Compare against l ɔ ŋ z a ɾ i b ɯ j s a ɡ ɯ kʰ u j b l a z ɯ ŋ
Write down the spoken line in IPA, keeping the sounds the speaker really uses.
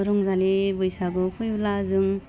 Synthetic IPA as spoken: ɾ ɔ ŋ z a l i b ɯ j s a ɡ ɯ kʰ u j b l a z ɯ ŋ